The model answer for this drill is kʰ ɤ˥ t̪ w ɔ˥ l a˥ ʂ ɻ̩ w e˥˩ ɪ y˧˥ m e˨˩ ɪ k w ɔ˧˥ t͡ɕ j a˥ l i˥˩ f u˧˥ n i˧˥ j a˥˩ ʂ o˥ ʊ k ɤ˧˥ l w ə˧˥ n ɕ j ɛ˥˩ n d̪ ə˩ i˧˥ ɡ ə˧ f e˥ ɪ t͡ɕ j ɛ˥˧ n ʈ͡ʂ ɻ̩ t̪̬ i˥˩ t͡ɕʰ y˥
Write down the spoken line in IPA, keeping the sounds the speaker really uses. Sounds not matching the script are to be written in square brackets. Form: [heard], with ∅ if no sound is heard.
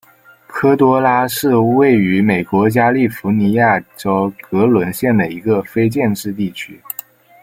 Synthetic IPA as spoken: kʰ ɤ˥ t̪ w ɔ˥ l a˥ ʂ ɻ̩ w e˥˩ ɪ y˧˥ m e˨˩ ɪ k w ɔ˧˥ t͡ɕ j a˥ l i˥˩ f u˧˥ n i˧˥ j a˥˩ [ʈ͡ʂ] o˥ ʊ k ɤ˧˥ l w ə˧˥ n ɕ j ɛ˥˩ n d̪ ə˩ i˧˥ ɡ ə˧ f e˥ ɪ t͡ɕ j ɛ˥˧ n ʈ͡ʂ ɻ̩ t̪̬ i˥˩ t͡ɕʰ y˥